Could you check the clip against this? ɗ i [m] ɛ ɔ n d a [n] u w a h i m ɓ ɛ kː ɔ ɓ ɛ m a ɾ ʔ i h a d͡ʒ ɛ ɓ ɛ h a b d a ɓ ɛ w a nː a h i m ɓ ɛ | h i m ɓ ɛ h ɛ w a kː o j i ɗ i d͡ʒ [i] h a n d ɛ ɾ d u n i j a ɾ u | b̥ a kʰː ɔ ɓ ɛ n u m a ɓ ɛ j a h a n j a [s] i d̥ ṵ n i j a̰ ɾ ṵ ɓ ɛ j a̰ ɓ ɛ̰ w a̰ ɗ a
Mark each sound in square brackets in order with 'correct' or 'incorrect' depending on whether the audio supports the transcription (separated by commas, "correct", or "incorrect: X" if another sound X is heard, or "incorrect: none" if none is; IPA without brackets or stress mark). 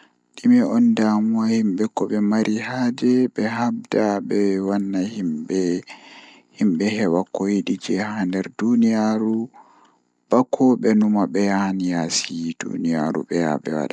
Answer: correct, incorrect: m, incorrect: ɛ, correct